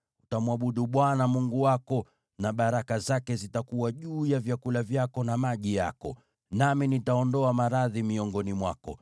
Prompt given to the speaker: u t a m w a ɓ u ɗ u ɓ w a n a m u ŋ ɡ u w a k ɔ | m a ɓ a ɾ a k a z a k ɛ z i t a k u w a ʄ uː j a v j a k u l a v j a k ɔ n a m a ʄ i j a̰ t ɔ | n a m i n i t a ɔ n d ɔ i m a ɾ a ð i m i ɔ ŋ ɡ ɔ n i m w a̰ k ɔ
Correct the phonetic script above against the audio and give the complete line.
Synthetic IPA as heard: u t a m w a ɓ u ɗ u ɓ w a n a m u ŋ ɡ u w a k ɔ | n a ɓ a ɾ a k a z a k ɛ z i t a k u w a ʄ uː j a v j a k u l a v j a k ɔ n a m a ʄ i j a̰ k ɔ | n a m i n i t a ɔ n d ɔ a m a ɾ a ð i m i ɔ ŋ ɡ ɔ n i m w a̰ k ɔ

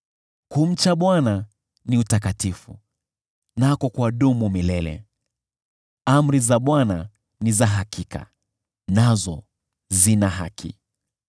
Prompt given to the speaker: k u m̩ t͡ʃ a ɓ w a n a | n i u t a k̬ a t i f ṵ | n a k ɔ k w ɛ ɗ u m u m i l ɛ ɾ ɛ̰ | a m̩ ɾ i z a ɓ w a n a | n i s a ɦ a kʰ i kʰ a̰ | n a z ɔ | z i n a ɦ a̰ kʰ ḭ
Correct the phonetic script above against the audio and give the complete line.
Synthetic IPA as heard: k u m̩ t͡ʃ a ɓ w a n a | n i u t a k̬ a t i f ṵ | n a k ɔ k w a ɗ u m u m i l ɛ l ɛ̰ | a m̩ ɾ i z a ɓ w a n a | n i z a ɦ a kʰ i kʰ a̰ | n a z ɔ | z i n a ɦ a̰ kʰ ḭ

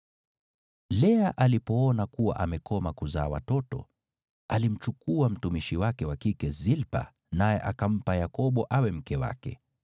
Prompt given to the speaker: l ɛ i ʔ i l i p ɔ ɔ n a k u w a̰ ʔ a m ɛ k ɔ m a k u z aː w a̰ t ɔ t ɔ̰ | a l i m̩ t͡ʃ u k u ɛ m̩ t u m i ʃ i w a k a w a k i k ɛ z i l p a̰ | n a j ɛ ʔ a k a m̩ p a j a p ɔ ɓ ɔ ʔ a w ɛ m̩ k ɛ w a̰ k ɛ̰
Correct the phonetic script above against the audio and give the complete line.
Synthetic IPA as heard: l ɛ a ʔ a l i p ɔ ɔ n a k u w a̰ ʔ a m ɛ k ɔ m a k u z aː w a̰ t ɔ t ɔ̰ | a l i m̩ t͡ʃ u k u a m̩ t u m i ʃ i w a k ɛ w a k i k ɛ z i l p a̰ | n a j ɛ ʔ a k a m̩ p a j a k ɔ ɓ ɔ ʔ a w ɛ m̩ k ɛ w a̰ k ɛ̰

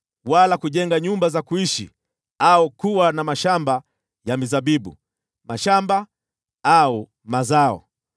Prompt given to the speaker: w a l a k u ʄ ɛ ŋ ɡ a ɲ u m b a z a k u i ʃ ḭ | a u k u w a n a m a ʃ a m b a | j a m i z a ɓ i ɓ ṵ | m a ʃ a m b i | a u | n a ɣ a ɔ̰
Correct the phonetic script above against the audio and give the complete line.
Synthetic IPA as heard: w a l a k u ʄ ɛ ŋ ɡ a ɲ u m b a z a k u i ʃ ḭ | a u k u w a n a m a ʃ a m b a | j a m i z a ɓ i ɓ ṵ | m a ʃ a m b a | a u | m a z a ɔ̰

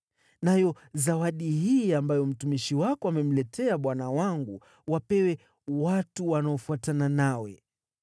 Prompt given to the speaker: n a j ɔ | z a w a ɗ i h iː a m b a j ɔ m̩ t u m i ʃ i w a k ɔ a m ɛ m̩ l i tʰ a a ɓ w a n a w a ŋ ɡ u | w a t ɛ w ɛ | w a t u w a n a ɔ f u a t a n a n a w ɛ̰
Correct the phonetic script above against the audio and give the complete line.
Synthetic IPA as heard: n a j ɔ | z a w a ɗ i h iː a m b a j ɔ m̩ t u m i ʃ i w a k ɔ a m ɛ m̩ l ɛ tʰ ɛ a ɓ w a n a w a ŋ ɡ u | w a p ɛ w ɛ | w a t u w a n a ɔ f u a t a n a n a w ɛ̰

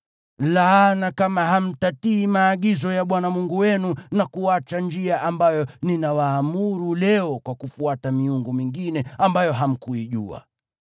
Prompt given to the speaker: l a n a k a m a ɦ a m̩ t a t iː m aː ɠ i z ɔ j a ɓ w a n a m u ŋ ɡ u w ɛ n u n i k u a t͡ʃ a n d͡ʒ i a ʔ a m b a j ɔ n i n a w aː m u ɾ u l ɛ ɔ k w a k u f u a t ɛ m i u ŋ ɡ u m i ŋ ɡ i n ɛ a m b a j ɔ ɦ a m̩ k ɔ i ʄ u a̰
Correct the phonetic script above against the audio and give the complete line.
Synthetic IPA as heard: l a n a k a m a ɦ a m̩ t a t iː m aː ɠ i z ɔ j a ɓ w a n a m u ŋ ɡ u w ɛ n u n a k u a t͡ʃ a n d͡ʒ i a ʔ a m b a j ɔ n i n a w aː m u ɾ u l ɛ ɔ k w a k u f u a t a m i u ŋ ɡ u m i ŋ ɡ i n ɛ a m b a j ɔ ɦ a m̩ k u i ʄ u a̰

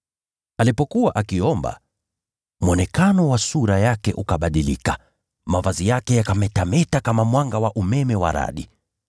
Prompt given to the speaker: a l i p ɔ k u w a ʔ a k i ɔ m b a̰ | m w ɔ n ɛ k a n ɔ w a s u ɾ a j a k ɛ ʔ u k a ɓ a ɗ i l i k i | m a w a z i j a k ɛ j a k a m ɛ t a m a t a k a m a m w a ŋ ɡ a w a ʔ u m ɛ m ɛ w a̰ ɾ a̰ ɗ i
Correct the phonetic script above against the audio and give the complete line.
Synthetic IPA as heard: a l i p ɔ k u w a ʔ a k i ɔ m b a̰ | m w ɔ n ɛ k a n ɔ w a s u ɾ a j a k ɛ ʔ u k a ɓ a ɗ i l i k a | m a v a z i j a k ɛ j a k a m ɛ t a m ɛ t a k a m a m w a ŋ ɡ a w a ʔ u m ɛ m ɛ w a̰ ɾ a̰ ɗ i

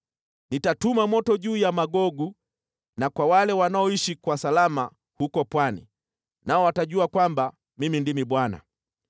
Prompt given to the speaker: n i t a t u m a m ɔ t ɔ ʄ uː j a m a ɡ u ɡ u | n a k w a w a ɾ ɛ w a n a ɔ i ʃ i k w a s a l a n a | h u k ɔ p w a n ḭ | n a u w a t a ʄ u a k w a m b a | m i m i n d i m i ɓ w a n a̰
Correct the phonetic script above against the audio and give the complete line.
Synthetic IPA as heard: n i t a t u m a m ɔ t ɔ ʄ uː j a m a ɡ ɔ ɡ u | n a k w a w a l ɛ w a n a ɔ i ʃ i k w a s a l a m a | h u k ɔ p w a n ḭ | n a ɔ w a t a ʄ u a k w a m b a | m i m i n d i m i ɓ w a n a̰

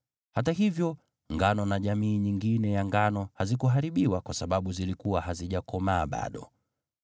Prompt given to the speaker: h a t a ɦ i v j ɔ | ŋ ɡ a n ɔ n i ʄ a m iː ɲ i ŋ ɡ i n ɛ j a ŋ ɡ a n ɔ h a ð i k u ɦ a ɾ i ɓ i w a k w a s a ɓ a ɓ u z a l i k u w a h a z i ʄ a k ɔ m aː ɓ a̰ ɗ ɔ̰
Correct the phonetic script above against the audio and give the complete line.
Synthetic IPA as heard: h a t a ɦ i v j ɔ | ŋ ɡ a n ɔ n a ʄ a m iː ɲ i ŋ ɡ i n ɛ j a ŋ ɡ a n ɔ h a z i k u ɦ a ɾ i ɓ i w a k w a s a ɓ a ɓ u z i l i k u w a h a z i ʄ a k ɔ m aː ɓ a̰ ɗ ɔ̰

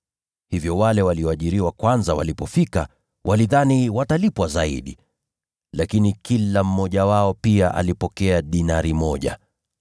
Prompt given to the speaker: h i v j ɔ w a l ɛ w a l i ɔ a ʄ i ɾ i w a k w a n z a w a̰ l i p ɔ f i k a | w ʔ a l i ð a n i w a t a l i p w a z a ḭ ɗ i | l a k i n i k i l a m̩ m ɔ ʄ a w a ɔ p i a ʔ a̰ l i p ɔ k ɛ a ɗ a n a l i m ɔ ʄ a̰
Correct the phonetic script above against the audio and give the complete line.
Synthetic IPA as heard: h i v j ɔ w a l ɛ w a l i ɔ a ʄ i ɾ i w a k w a n z a w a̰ l i p ɔ f i k a | w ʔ a l i ð a n i w a t a l i p w a z a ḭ ɗ i | l a k i n i k i l a m̩ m ɔ ʄ a w a ɔ p i a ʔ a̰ l i p ɔ k ɛ a ɗ i n a ɾ i m ɔ ʄ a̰

